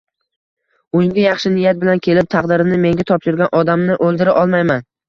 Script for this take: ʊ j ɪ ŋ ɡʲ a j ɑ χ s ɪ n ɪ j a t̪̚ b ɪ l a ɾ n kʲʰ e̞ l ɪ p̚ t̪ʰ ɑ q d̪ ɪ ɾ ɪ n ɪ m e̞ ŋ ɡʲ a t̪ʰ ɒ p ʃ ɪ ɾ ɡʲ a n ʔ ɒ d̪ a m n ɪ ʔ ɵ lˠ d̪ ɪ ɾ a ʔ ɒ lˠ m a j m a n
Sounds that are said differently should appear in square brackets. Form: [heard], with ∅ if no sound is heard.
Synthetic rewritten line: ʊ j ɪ ŋ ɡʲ a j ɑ χ [ʃ] ɪ n ɪ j a t̪̚ b ɪ l a [∅] n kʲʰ e̞ l ɪ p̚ t̪ʰ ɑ q d̪ ɪ ɾ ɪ n ɪ m e̞ ŋ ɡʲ a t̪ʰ ɒ p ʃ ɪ ɾ ɡʲ a n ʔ ɒ d̪ a m n ɪ ʔ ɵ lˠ d̪ ɪ ɾ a ʔ ɒ lˠ m a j m a n